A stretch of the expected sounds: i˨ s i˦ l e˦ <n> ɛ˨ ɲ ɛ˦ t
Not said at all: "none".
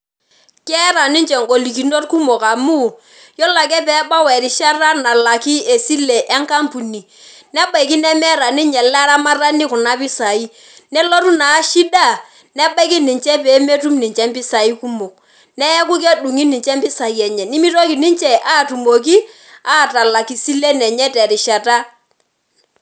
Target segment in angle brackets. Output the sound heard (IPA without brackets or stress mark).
n